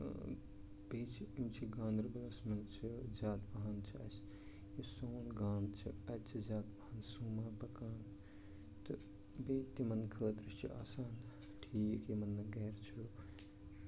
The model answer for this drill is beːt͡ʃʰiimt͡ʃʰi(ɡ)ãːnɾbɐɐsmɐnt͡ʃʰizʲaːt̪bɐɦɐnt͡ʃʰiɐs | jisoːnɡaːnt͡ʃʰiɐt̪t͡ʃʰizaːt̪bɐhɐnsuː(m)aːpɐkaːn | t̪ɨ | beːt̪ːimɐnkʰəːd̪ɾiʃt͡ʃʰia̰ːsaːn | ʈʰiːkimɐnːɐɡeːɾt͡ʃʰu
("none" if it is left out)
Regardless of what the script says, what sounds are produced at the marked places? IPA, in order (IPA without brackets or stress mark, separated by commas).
ɡ, m